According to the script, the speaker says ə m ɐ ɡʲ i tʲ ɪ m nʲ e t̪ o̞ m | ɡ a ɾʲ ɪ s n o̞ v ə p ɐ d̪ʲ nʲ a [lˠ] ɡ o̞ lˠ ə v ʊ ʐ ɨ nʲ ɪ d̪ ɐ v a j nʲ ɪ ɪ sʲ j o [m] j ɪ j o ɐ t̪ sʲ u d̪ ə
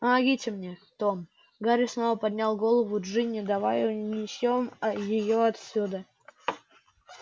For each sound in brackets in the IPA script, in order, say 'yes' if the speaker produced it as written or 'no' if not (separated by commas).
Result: yes, yes